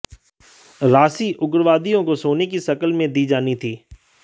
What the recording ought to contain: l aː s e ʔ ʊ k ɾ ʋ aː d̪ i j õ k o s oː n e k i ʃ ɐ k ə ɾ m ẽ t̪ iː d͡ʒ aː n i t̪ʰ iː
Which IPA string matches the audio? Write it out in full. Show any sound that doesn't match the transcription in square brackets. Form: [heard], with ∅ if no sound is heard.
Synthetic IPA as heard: [ɾ] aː s [i] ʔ ʊ [ɡ] ɾ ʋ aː d̪ i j õ k o s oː n e k i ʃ ɐ k ə [l] m ẽ [d̪] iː d͡ʒ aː n i t̪ʰ iː